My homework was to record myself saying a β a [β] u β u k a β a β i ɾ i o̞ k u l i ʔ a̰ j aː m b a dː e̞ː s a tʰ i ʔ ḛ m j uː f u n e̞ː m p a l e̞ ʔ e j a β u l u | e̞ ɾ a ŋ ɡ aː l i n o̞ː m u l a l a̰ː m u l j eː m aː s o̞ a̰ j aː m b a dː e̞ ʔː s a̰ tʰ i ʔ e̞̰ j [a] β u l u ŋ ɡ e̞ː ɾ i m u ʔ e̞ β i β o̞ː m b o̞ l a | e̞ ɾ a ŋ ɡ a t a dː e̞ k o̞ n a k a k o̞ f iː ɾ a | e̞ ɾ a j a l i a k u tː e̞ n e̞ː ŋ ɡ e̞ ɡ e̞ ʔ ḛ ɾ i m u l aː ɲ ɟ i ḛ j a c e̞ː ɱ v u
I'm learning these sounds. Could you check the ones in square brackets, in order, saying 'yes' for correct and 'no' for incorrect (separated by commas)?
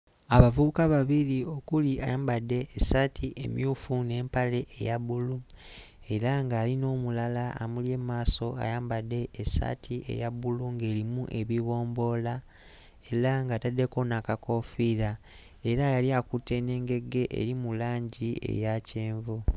no, yes